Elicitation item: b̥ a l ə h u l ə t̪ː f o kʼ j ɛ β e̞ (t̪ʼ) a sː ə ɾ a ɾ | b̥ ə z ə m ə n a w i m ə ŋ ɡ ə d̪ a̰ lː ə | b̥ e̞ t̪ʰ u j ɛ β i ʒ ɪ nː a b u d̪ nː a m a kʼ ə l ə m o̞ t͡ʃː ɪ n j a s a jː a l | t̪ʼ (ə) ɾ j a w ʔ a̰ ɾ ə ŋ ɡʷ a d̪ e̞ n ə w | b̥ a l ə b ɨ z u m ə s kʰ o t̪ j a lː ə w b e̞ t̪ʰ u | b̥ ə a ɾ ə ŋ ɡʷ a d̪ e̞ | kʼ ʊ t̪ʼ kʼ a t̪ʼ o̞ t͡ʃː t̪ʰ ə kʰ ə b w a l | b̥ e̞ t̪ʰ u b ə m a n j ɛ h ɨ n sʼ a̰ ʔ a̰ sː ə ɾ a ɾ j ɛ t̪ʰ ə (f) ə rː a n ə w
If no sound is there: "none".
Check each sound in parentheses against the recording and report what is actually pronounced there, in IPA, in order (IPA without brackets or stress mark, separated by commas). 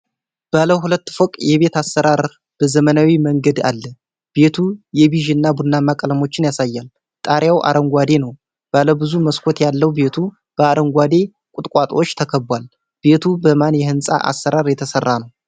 t̪, a, s